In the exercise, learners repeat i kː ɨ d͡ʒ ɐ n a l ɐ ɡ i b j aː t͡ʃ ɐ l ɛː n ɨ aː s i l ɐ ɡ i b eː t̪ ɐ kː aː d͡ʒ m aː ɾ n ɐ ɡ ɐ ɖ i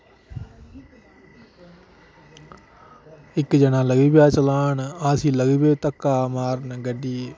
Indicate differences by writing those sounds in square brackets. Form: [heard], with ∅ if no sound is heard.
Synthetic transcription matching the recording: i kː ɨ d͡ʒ ɐ n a l ɐ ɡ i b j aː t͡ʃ ɐ l [aː] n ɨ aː s i l ɐ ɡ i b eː t̪ ɐ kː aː [∅] m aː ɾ n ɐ ɡ ɐ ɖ i